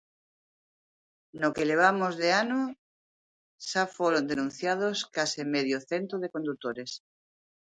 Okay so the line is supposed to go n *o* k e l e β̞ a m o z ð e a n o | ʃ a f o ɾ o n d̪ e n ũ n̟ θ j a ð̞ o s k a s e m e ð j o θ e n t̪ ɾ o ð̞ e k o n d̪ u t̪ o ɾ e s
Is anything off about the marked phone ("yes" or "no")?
no